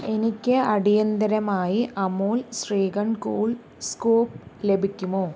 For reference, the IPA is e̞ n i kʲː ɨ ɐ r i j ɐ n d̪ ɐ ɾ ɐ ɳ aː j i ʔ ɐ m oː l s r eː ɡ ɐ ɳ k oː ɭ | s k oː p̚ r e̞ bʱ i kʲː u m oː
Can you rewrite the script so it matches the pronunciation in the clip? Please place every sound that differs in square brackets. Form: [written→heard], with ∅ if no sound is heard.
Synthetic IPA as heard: e̞ n i kʲː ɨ ɐ [r→ɽ] i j ɐ n d̪ ɐ ɾ ɐ [ɳ→m] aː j i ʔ ɐ m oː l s r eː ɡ ɐ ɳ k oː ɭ | s k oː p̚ [r→l] e̞ bʱ i kʲː u m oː